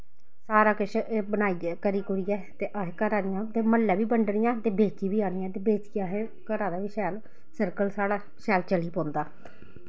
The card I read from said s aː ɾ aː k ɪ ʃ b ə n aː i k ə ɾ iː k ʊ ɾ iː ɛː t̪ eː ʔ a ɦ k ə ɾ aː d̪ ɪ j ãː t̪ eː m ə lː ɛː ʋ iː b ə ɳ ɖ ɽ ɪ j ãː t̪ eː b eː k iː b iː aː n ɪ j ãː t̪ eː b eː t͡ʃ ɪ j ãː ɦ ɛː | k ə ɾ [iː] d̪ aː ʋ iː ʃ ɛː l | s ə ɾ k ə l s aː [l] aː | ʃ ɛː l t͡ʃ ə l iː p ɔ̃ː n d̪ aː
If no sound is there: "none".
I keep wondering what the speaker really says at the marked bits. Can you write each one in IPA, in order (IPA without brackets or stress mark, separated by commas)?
aː, ɽ